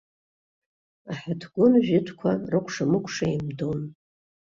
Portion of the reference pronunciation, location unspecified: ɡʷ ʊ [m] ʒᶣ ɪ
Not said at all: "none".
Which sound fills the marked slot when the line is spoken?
n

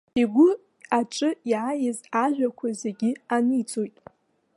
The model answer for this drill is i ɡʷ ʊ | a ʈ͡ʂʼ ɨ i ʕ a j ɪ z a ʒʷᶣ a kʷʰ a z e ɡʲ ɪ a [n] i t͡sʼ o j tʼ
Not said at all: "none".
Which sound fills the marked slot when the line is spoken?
n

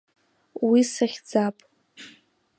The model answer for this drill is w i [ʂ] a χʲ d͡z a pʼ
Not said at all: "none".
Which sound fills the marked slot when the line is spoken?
s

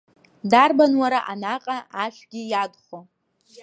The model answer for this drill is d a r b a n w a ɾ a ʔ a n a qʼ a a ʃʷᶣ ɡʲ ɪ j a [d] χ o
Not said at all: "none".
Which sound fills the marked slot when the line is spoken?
d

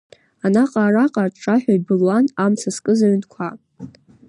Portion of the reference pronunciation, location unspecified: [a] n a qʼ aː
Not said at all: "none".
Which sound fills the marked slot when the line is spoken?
a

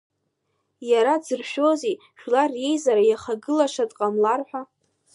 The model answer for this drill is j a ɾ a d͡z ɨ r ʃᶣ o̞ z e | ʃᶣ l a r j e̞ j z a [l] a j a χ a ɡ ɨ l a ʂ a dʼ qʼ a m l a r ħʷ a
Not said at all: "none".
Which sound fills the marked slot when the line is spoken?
ɾ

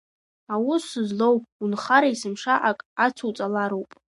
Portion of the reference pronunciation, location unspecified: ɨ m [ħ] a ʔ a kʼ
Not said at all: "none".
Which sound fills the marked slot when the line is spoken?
ʂ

